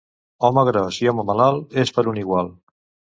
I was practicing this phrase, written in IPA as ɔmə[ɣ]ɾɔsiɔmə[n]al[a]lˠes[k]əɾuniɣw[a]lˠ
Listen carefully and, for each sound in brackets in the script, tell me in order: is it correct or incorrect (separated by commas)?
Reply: correct, incorrect, correct, incorrect, correct